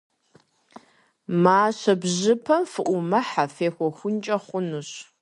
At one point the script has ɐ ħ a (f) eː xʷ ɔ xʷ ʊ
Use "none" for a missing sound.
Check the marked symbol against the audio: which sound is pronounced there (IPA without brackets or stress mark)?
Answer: f